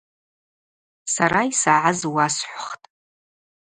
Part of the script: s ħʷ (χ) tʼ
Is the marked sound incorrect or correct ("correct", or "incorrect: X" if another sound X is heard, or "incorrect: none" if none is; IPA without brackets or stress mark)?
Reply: correct